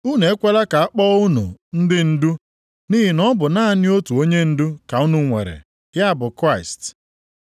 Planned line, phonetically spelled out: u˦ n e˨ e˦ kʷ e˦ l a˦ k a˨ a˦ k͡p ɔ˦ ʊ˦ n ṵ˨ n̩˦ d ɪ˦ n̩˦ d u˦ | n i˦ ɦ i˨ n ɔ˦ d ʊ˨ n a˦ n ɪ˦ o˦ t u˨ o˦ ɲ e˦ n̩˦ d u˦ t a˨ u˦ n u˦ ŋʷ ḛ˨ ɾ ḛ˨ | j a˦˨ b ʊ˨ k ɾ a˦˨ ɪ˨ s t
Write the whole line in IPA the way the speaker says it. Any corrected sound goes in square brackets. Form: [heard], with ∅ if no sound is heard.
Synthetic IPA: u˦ n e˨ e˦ kʷ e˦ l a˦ k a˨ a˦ k͡p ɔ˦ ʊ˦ n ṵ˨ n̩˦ d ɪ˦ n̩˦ d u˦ | n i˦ ɦ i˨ n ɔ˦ [b] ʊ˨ n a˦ n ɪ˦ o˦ t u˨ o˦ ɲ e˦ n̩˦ d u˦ [k] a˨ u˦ n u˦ ŋʷ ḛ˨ ɾ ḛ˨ | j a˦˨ b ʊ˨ k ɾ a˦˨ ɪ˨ s t